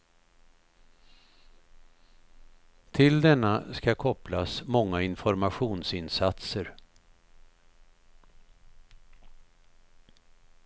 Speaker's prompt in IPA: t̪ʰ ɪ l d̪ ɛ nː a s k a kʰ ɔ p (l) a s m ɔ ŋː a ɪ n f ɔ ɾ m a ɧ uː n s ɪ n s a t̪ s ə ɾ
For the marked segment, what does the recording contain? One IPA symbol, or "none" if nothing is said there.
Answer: l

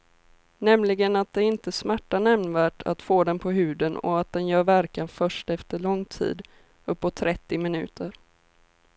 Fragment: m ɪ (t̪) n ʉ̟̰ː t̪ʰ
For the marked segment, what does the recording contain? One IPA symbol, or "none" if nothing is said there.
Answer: none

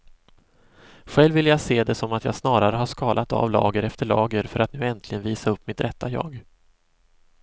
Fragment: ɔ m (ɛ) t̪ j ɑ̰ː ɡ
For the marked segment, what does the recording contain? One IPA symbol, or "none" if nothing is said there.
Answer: a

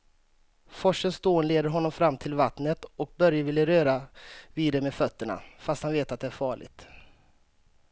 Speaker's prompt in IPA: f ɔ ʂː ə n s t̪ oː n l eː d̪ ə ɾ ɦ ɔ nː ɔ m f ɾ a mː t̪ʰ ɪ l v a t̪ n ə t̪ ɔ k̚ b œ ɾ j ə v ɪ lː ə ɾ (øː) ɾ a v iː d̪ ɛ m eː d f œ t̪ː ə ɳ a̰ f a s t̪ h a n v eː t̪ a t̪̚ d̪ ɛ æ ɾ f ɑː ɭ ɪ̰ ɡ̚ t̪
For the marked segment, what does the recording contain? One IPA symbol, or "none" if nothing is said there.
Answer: øː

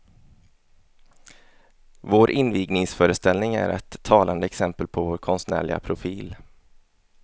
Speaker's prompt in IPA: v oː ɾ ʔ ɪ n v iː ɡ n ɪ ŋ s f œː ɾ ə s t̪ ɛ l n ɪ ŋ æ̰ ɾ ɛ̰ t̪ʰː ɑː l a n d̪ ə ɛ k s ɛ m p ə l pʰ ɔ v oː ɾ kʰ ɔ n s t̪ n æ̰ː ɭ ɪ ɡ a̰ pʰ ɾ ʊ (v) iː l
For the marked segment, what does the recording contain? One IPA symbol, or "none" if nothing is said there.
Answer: f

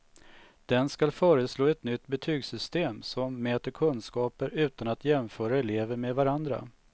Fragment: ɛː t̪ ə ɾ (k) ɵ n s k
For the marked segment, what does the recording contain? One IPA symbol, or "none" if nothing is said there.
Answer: kʰ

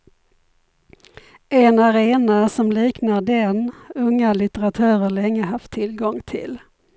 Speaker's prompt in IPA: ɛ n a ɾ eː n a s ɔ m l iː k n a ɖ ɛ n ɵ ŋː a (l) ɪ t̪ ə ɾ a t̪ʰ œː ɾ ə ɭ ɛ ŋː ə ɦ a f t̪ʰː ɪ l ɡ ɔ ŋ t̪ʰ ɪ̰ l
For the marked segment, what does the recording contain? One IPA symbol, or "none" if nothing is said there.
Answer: l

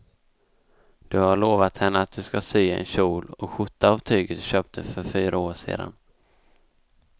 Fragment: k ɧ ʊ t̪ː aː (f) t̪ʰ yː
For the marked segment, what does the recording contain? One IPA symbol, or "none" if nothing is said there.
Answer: v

